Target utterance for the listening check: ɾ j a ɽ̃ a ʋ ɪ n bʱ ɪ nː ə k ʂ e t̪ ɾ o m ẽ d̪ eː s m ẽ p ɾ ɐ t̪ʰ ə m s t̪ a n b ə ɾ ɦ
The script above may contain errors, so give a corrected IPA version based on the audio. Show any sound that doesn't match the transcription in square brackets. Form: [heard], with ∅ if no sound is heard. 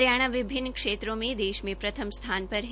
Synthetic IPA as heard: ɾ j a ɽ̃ a ʋ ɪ [∅] bʱ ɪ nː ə k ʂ e t̪ ɾ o m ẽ d̪ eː [ʃ] m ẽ p ɾ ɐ t̪ʰ ə m s [t̪ʰ] a n [p] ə ɾ ɦ